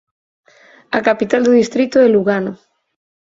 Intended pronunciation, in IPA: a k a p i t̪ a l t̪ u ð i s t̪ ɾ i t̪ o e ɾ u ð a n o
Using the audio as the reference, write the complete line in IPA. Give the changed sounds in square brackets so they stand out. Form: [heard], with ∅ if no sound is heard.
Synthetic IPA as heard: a k a p i t̪ a l [d̪] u ð i s t̪ ɾ i t̪ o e [l] u [ɣ] a n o